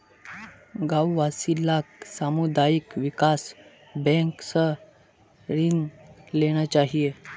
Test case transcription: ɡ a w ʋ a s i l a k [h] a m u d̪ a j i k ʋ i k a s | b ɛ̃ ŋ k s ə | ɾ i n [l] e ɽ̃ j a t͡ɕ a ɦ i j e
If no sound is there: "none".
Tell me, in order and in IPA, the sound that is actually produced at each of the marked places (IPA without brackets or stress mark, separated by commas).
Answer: s, l